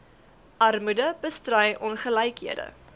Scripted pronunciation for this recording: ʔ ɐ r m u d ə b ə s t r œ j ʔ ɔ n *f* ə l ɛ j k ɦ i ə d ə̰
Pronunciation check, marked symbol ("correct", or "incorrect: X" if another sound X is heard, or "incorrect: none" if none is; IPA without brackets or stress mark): incorrect: χ